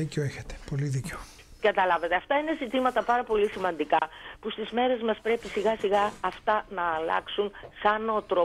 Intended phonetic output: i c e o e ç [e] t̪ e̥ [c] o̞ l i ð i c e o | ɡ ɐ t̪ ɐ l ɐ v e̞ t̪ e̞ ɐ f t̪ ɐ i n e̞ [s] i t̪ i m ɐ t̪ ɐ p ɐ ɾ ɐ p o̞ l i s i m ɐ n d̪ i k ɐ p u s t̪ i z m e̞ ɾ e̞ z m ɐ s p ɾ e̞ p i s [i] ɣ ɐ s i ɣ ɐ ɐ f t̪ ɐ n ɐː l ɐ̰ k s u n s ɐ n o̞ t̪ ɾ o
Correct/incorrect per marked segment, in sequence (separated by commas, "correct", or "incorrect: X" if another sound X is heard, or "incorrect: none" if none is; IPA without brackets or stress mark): correct, incorrect: p, incorrect: z, correct